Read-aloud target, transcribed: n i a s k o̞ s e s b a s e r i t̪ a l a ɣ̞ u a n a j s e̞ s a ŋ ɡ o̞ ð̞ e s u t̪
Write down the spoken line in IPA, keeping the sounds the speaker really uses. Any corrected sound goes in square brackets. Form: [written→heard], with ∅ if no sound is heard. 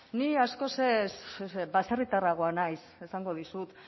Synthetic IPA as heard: n i a s k o̞ s e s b a s e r i t̪ a [l→r] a ɣ̞ [u→o] a n a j s e̞ s a ŋ ɡ o̞ ð̞ [e→i] s u t̪